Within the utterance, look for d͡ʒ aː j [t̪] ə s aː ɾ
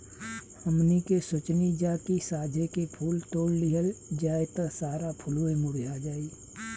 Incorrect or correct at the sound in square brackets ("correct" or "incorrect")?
correct